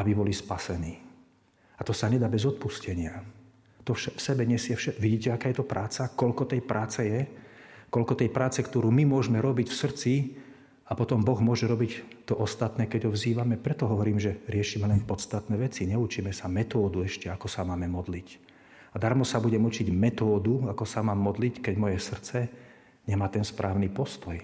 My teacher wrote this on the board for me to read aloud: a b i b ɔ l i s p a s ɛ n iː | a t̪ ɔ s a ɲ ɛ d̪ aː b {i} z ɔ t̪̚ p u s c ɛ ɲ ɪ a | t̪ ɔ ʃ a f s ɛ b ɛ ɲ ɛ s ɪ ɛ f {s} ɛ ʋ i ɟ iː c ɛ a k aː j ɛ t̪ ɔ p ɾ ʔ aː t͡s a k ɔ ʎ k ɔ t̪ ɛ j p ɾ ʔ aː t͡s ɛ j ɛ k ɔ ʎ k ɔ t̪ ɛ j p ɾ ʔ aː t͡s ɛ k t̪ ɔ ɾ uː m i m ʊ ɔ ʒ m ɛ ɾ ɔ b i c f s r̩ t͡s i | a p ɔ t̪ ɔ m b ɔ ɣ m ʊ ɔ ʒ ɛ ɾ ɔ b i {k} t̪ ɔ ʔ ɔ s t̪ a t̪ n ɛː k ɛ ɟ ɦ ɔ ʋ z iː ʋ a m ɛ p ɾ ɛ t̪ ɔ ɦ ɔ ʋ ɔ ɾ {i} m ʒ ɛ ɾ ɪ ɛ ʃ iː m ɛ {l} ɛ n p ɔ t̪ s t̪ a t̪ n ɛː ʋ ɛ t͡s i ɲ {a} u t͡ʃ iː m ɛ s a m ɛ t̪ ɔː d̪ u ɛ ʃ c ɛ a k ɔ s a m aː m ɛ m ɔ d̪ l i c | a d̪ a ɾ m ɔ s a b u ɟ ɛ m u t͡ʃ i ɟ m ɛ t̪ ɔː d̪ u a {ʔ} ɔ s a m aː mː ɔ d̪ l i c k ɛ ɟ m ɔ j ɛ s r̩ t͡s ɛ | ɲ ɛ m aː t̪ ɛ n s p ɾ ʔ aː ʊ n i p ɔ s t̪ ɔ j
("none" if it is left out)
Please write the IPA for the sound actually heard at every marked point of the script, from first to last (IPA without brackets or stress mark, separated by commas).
ɛ, ʃ, c, iː, l, ɛ, k